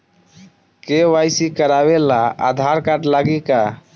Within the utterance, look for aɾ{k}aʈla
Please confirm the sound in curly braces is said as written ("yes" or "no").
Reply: yes